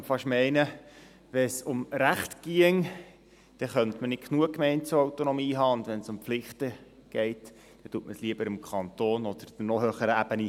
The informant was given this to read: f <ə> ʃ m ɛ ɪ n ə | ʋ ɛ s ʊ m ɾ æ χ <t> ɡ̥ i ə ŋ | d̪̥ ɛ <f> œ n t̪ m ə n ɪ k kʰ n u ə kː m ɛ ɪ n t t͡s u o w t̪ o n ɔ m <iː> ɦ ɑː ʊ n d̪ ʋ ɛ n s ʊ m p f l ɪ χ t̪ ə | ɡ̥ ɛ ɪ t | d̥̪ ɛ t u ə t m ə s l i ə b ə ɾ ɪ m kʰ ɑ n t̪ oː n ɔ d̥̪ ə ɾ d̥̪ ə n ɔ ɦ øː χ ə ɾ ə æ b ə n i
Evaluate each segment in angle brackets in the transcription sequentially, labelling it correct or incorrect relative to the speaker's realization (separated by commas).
incorrect, correct, incorrect, correct